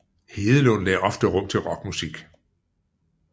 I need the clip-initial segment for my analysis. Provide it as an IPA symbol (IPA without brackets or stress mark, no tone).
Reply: h